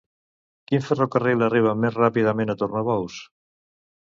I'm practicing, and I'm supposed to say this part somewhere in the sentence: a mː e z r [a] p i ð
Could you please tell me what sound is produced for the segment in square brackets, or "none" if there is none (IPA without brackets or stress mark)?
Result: a